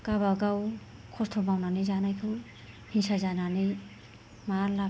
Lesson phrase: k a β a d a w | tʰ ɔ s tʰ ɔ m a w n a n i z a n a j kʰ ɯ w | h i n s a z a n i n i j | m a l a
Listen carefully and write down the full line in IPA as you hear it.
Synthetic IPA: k a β a ɡ a w | kʰ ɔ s tʰ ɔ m a w n a n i z a n a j kʰ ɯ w | h i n s a z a n a n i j | m a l a